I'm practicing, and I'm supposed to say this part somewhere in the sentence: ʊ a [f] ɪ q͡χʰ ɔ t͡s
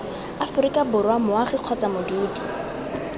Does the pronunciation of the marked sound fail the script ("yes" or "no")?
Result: yes